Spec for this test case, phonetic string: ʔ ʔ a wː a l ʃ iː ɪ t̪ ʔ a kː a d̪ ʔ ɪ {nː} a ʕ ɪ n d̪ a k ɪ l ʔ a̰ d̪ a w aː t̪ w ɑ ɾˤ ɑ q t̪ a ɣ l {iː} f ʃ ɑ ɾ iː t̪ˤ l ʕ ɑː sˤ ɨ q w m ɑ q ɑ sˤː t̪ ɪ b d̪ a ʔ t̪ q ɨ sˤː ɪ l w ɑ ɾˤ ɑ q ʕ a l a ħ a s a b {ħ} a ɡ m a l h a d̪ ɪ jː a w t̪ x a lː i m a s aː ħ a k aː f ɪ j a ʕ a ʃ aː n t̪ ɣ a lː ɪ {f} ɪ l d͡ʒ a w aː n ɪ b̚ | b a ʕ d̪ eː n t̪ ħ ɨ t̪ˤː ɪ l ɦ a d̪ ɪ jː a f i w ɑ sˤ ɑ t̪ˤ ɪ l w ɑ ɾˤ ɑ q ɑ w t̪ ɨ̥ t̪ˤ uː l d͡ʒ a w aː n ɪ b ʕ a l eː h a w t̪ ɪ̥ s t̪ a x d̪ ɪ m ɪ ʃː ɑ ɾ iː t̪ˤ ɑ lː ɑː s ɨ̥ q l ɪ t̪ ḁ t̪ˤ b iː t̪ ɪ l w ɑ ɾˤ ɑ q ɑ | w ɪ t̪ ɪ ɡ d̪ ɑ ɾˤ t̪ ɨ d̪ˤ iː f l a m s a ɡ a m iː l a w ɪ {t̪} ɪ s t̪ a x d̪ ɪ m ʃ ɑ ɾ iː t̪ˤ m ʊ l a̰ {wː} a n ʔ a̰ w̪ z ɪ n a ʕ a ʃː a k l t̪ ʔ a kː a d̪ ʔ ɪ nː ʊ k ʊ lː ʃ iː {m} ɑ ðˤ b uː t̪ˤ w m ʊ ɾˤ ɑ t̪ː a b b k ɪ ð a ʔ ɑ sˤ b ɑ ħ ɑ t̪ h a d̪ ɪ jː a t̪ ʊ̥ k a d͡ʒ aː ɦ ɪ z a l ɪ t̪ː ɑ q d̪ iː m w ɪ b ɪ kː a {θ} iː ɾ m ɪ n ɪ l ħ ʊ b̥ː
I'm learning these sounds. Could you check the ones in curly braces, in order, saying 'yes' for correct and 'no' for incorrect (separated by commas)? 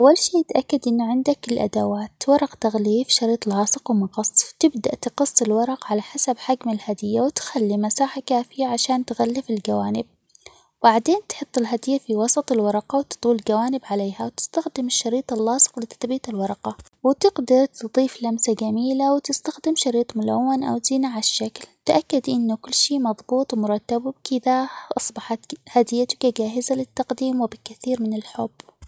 yes, yes, yes, yes, yes, yes, yes, yes